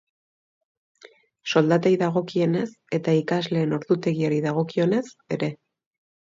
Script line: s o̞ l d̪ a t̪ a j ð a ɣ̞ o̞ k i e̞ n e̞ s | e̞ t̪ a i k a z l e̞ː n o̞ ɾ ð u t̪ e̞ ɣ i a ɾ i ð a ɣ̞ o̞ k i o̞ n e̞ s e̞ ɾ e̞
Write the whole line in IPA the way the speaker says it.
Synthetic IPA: s o̞ l d̪ a t̪ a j ð a ɣ̞ o̞ k i e̞ n e̞ s | e̞ t̪ a i k a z l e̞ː n o̞ ɾ ð u t̪ e̞ ɣ i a ɾ i ð a ɣ̞ o̞ k i o̞ n e̞ s e̞ ɾ e̞